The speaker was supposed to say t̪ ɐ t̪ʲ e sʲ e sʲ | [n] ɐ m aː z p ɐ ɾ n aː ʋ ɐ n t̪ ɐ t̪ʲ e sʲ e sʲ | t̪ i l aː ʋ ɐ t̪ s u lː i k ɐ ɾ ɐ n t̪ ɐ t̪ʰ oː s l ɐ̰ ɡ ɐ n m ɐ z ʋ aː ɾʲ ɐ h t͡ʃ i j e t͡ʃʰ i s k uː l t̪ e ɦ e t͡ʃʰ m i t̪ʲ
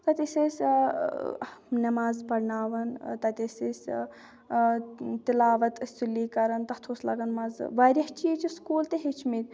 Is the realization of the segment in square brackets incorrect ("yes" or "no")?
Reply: no